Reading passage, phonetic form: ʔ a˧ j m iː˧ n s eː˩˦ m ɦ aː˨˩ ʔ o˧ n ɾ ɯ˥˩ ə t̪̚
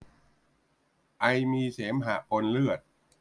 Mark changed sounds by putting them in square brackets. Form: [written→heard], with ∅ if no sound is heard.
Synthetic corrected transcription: ʔ a˧ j m iː˧ [n→∅] s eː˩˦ m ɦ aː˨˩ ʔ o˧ n [ɾ→l] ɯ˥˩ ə t̪̚